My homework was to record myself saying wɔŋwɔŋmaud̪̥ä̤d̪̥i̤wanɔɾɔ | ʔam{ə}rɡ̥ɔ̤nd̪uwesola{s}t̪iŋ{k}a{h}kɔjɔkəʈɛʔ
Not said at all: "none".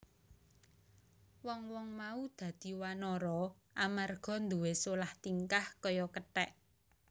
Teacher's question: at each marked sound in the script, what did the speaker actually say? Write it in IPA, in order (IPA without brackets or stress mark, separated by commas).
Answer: a, h, k, h